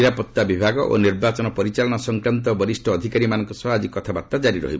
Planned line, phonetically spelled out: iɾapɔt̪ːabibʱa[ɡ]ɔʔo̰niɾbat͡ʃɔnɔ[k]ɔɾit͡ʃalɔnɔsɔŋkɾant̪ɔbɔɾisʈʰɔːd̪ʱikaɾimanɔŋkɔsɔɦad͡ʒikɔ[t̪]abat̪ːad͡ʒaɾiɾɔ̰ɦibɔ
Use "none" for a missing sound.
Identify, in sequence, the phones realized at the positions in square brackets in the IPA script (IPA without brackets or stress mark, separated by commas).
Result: ɡ, p, t̪ʰ